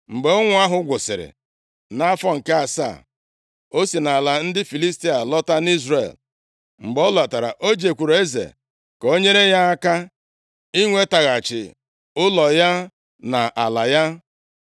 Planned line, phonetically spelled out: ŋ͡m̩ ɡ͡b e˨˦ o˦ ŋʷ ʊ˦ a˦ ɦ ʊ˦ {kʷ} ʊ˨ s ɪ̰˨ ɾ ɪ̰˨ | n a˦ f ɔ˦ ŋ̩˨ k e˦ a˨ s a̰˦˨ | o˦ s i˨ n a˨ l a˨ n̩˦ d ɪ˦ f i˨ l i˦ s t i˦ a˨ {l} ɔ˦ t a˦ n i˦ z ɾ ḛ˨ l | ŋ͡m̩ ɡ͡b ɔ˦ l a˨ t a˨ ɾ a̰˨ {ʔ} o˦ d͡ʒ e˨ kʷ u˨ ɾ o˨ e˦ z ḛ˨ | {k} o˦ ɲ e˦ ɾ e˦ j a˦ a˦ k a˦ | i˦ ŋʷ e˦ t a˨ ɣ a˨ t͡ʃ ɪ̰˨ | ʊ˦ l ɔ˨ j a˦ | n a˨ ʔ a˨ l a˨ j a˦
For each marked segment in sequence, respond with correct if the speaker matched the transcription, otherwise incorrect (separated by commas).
incorrect, correct, correct, correct